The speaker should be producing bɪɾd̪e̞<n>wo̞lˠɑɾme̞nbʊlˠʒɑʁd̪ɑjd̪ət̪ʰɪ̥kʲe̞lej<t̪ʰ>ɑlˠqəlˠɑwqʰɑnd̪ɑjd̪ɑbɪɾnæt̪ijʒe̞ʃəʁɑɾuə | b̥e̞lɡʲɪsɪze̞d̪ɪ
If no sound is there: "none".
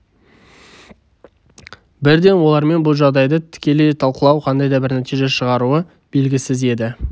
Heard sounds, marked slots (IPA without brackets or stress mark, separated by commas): n, t̪ʰ